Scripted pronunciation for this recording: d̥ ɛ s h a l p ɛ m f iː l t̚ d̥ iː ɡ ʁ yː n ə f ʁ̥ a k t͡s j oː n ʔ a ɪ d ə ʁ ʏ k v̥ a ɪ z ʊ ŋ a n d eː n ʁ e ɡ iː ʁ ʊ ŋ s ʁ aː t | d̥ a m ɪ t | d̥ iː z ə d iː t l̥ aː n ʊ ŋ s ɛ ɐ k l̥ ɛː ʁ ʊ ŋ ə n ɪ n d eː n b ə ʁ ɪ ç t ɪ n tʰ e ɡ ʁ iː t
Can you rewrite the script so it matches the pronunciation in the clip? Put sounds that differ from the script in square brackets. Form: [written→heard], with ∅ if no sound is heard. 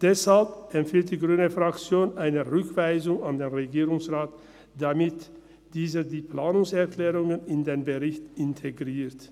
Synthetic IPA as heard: d̥ ɛ s h a l p ɛ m f iː l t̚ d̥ iː ɡ ʁ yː n ə f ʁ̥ a k t͡s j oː n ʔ a ɪ [d→n] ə ʁ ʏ k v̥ a ɪ z ʊ ŋ a n d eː n ʁ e ɡ iː ʁ ʊ ŋ s ʁ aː t | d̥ a m ɪ t | d̥ iː z ə d iː [t→p] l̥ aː n ʊ ŋ s ɛ ɐ k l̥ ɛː ʁ ʊ ŋ ə n ɪ n d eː n b ə ʁ ɪ ç t ɪ n tʰ e ɡ ʁ iː t